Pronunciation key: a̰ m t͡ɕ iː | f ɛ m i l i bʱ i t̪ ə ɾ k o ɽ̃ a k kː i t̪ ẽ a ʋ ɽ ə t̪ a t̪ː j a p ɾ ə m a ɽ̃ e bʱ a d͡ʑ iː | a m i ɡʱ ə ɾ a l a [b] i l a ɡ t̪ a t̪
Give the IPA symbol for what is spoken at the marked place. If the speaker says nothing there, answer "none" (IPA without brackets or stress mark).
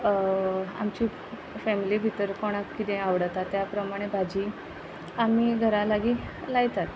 ɡ